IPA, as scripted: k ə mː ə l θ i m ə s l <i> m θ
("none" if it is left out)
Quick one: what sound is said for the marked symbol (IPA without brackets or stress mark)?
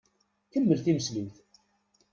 i